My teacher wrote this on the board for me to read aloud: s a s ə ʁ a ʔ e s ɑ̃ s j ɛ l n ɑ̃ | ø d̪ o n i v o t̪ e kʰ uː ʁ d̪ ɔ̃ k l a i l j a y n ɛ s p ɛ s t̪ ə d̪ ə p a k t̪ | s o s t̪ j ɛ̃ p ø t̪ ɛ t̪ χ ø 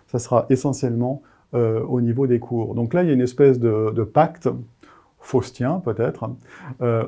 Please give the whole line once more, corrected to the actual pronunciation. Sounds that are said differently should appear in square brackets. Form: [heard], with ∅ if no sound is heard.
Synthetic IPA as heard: s a s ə ʁ a ʔ e s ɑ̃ s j ɛ l [m] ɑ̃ | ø [∅] o n i v o [d̪] e kʰ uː ʁ d̪ ɔ̃ k l a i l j a y n ɛ s p ɛ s [d̪] ə d̪ ə p a k t̪ | [f] o s t̪ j ɛ̃ p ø t̪ ɛ t̪ χ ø